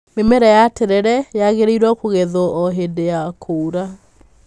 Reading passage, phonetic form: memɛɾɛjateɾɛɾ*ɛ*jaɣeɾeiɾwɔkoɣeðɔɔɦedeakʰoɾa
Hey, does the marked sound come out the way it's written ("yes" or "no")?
yes